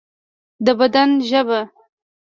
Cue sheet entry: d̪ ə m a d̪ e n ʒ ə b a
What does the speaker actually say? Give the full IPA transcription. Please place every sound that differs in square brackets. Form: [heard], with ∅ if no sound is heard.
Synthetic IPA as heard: d̪ ə [b] a d̪ [a] n ʒ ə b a